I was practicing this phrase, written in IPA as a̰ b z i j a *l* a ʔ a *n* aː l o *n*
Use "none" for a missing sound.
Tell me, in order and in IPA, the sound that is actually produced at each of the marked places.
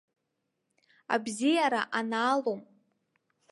ɾ, n, m

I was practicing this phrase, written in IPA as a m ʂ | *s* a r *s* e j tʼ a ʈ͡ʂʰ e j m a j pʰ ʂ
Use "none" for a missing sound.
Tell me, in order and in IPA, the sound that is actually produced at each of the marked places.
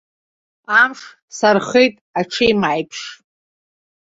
s, χ

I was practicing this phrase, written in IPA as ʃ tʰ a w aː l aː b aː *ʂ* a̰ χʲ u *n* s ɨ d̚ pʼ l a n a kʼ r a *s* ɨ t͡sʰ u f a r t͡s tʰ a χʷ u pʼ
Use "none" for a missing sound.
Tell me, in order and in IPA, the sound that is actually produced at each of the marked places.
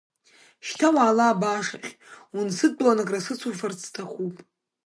ʂ, n, s

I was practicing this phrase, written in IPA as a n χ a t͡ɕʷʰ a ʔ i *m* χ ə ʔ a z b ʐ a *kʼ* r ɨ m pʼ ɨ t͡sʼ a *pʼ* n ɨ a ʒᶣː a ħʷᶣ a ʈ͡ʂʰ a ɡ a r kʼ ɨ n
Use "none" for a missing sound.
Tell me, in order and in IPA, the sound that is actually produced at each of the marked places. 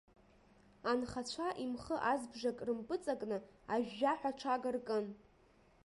m, kʼ, kʼ

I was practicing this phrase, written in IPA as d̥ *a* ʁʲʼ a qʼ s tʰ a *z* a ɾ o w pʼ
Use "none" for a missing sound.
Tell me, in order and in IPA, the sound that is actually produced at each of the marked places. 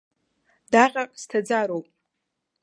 a, d͡z

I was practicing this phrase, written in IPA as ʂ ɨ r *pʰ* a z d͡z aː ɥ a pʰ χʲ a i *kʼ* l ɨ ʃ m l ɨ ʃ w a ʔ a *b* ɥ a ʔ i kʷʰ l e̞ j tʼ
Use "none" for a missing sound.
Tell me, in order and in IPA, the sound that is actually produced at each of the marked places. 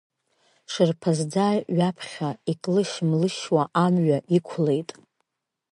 pʰ, kʼ, m

